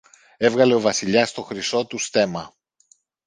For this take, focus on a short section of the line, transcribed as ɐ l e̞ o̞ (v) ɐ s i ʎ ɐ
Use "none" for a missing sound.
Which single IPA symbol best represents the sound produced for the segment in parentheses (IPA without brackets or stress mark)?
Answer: v